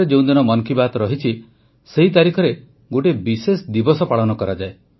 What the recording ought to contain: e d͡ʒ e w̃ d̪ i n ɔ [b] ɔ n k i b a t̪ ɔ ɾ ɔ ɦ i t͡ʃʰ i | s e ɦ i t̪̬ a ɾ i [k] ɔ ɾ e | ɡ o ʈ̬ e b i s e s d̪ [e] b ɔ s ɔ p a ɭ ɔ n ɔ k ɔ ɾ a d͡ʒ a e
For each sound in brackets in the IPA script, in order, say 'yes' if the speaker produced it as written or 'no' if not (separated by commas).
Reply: no, no, no